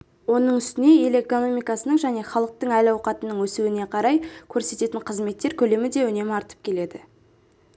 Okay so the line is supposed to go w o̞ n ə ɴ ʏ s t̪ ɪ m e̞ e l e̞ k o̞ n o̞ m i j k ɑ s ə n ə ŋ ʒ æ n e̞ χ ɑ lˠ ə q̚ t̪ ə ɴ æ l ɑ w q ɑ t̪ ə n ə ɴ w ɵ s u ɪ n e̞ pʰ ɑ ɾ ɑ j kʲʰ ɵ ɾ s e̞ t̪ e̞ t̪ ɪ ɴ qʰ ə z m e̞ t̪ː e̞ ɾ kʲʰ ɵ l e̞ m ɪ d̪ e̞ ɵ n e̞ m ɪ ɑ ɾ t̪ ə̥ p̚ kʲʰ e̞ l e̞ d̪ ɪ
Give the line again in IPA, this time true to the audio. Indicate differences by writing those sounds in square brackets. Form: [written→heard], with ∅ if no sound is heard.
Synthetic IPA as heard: w o̞ n ə ɴ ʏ s t̪ ɪ [m→n] e̞ e l e̞ k o̞ n o̞ m i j k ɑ s ə n ə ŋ ʒ æ n e̞ χ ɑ lˠ ə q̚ t̪ ə ɴ æ l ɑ w q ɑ t̪ ə n ə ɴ w ɵ s u ɪ n e̞ [pʰ→qʰ] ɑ ɾ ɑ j kʲʰ ɵ ɾ s e̞ t̪ e̞ t̪ ɪ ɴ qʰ ə z m e̞ t̪ː e̞ ɾ kʲʰ ɵ l e̞ m ɪ d̪ e̞ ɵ n e̞ m ɪ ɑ ɾ t̪ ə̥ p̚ kʲʰ e̞ l e̞ d̪ ɪ